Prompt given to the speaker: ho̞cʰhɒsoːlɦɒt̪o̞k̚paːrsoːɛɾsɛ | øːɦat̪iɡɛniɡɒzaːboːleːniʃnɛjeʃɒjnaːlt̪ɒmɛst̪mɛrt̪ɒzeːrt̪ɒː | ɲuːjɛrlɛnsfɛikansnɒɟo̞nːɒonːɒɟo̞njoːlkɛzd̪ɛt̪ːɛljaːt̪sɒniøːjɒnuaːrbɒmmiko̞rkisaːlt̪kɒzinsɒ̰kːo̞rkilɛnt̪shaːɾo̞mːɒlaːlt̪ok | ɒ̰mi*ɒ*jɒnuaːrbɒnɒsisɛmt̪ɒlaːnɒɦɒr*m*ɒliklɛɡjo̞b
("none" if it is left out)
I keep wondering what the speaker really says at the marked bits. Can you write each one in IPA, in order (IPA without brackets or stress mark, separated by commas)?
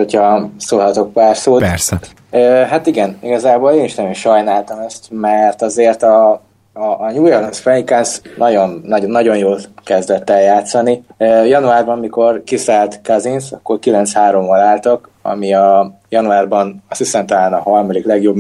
ɒ, m